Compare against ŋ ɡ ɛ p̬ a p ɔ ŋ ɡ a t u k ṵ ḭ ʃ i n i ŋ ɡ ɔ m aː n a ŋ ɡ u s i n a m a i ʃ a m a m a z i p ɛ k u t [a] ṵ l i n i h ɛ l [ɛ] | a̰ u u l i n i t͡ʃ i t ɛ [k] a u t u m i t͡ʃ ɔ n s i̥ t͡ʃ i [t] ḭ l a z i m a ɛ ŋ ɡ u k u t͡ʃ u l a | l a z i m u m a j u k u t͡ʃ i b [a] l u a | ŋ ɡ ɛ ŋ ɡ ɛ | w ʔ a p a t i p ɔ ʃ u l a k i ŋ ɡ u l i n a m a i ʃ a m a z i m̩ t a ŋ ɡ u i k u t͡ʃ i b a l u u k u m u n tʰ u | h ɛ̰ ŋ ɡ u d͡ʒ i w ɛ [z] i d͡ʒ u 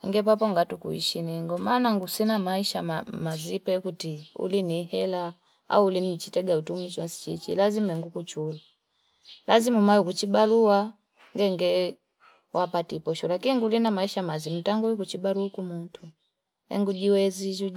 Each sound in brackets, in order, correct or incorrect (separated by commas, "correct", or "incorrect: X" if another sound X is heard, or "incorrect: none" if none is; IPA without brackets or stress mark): incorrect: i, incorrect: a, incorrect: ɡ, incorrect: t͡ʃ, correct, correct